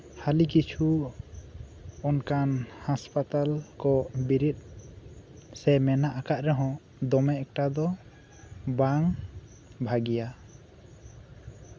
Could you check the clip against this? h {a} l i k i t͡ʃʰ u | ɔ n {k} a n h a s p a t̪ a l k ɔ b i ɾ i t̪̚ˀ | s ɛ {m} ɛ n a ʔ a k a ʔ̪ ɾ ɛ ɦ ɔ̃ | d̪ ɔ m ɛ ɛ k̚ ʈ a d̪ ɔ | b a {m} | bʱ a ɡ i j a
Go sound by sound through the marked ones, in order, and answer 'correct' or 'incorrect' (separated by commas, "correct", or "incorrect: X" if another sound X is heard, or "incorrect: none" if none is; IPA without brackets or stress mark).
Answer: correct, correct, correct, incorrect: ŋ